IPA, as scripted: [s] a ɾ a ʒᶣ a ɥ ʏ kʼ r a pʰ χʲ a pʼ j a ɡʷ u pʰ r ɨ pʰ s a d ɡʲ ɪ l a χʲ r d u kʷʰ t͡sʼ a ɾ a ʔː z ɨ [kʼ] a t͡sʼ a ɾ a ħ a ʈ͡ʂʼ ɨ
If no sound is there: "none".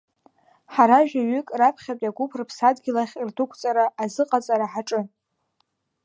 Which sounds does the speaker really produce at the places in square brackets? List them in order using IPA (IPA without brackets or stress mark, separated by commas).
ħ, qʼ